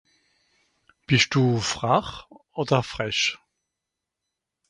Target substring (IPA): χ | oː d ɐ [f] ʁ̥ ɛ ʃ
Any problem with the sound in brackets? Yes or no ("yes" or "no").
no